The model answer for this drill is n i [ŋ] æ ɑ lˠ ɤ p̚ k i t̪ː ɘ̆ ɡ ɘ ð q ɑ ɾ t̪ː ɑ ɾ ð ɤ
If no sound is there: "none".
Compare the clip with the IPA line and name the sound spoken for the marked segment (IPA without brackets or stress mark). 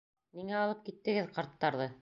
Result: ŋ